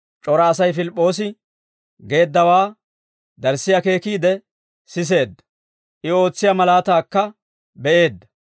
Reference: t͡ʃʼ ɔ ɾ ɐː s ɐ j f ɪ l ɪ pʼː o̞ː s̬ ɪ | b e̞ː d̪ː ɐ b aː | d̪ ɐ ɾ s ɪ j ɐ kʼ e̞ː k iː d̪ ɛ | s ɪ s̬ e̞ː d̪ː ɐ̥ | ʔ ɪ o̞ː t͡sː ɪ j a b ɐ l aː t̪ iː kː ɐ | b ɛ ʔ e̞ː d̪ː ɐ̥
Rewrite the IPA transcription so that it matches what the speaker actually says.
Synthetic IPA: t͡ʃʼ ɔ ɾ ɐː s ɐ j f ɪ l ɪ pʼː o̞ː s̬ ɪ | ɡ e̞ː d̪ː ɐ w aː | d̪ ɐ ɾ s ɪ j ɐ k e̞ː k iː d̪ ɛ | s ɪ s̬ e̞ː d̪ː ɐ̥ | ʔ ɪ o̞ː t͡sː ɪ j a m ɐ l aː t̪ aː kː ɐ | b ɛ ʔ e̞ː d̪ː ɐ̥